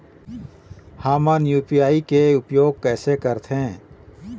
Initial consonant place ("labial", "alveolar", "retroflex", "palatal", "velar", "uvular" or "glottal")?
glottal